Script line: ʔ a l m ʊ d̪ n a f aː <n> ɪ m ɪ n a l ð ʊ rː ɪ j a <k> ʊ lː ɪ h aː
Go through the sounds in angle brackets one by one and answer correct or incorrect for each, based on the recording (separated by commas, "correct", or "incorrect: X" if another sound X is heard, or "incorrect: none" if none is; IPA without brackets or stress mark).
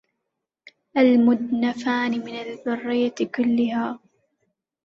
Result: correct, correct